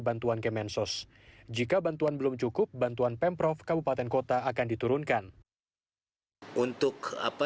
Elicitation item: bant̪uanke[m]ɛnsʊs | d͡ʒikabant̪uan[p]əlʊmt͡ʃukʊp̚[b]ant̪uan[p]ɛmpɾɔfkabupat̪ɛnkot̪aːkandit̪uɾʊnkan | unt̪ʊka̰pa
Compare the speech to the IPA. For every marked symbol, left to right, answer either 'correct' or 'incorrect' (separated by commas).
correct, incorrect, correct, correct